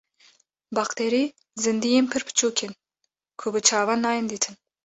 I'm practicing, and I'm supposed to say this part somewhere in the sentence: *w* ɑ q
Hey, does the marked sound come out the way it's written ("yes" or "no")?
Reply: no